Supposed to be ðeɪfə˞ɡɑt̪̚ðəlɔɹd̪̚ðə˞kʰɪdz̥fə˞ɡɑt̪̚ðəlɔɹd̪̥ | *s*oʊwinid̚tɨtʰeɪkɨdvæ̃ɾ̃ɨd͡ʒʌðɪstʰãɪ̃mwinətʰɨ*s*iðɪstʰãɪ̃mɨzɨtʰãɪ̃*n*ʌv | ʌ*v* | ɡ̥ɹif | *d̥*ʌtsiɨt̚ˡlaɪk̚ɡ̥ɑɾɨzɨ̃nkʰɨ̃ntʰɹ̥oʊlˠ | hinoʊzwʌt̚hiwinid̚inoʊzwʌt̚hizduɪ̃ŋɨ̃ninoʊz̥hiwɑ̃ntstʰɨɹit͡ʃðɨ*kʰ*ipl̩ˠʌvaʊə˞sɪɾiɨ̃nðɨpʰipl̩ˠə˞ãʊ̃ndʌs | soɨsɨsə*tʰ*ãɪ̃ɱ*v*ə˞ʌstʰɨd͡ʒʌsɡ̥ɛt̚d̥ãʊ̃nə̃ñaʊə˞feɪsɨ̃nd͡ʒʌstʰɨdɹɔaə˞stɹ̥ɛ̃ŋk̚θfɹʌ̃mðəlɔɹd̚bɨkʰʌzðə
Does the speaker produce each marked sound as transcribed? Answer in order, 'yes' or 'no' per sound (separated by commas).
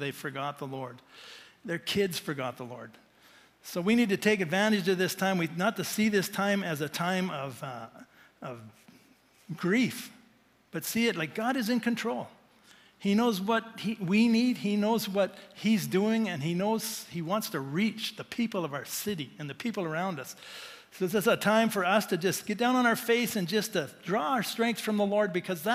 yes, yes, no, yes, no, no, yes, no